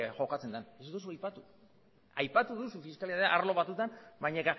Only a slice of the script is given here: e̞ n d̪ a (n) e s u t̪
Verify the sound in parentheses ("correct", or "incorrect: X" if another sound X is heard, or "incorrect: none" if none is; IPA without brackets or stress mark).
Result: correct